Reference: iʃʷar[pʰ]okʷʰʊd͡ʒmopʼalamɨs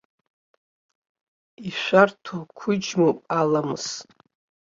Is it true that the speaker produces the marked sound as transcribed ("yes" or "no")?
no